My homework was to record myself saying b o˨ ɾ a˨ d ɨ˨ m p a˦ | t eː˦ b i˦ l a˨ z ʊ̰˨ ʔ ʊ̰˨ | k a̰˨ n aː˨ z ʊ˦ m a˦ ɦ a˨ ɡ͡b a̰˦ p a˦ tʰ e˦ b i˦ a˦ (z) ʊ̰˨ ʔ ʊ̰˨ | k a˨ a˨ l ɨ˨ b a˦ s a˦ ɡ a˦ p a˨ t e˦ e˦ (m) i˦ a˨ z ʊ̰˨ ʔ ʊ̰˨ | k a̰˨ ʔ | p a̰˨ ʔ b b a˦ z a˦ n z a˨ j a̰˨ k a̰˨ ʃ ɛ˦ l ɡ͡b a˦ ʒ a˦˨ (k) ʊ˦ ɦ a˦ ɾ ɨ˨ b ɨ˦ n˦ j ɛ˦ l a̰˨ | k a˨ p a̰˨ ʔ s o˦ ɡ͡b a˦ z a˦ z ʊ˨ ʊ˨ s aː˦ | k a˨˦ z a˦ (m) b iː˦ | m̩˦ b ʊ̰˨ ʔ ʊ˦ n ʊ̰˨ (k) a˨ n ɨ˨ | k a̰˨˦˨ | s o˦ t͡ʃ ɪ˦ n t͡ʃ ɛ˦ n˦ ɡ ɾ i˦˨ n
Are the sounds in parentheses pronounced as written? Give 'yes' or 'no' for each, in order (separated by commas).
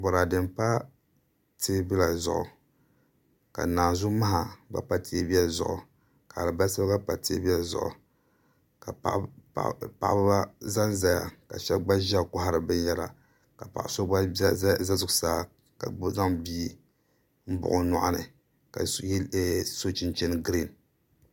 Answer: yes, no, yes, no, no